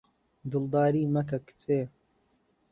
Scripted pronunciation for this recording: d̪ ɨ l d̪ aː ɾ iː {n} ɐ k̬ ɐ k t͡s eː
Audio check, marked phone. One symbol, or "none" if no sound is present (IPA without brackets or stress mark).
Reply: m